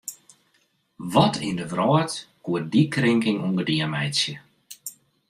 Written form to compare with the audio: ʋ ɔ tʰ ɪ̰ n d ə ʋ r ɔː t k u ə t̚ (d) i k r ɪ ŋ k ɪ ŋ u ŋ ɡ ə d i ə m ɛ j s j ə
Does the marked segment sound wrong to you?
no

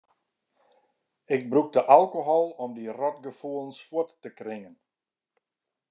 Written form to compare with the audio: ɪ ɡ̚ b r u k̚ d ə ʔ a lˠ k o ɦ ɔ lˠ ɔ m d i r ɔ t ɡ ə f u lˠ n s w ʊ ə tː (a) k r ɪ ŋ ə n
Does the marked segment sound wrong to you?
yes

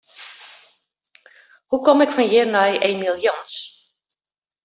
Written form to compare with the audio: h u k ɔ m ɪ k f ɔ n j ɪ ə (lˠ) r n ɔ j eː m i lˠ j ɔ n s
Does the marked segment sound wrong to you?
yes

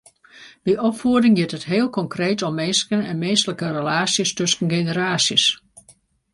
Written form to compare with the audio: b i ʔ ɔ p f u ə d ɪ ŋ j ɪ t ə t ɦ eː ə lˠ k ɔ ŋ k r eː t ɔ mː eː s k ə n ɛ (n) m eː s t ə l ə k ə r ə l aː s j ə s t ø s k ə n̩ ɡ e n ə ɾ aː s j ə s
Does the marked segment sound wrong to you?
no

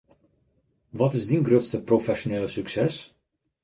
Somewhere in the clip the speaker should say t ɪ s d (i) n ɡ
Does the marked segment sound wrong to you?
no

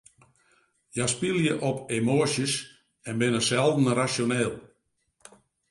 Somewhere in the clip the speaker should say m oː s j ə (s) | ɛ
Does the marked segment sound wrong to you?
no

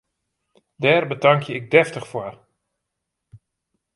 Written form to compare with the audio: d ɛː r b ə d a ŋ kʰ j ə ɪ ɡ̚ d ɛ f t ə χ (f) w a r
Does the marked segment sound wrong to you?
no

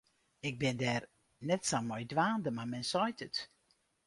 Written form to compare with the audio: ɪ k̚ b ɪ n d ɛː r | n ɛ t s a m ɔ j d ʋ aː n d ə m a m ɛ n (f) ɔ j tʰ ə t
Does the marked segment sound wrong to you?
yes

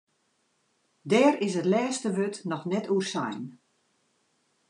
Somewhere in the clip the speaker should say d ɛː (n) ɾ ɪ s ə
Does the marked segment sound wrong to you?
yes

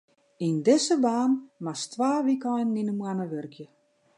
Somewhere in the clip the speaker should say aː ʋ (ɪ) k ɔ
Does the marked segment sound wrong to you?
yes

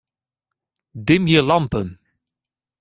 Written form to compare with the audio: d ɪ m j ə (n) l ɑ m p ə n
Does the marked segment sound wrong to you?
yes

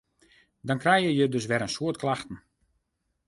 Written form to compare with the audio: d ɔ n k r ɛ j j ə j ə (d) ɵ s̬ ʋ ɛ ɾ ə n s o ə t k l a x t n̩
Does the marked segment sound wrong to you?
no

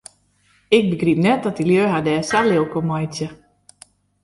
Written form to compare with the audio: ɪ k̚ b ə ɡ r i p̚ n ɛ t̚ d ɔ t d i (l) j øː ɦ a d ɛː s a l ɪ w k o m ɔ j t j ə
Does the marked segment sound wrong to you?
no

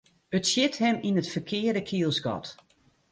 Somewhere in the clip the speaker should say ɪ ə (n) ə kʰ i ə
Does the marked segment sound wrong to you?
yes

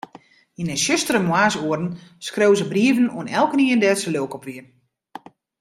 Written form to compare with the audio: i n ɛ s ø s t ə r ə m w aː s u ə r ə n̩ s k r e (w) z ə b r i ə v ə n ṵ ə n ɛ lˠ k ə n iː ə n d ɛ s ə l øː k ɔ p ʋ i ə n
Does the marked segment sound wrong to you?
no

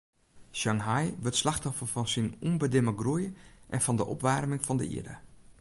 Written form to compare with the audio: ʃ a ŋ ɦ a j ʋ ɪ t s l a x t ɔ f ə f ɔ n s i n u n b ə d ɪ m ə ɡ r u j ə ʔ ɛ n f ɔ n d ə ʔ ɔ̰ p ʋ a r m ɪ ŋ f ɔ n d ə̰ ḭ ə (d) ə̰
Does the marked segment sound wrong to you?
no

